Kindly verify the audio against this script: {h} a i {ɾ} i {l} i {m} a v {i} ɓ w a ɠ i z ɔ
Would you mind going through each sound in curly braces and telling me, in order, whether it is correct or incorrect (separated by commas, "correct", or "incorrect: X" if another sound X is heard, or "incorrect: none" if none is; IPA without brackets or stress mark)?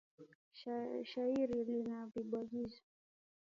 incorrect: ʃ, correct, correct, incorrect: n, correct